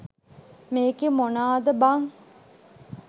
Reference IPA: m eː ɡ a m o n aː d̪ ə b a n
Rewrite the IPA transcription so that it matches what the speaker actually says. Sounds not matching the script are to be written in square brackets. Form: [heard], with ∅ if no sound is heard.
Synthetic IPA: m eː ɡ [e] m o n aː d̪ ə b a [ŋ]